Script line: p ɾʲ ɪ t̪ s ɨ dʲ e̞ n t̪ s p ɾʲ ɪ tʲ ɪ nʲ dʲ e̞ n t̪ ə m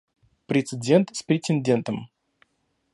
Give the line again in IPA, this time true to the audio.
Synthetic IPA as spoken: p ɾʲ ɪ t̪ s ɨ dʲ e̞ n t̪ s p ɾʲ ɪ tʲ ɪ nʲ dʲ e̞ n t̪ ə m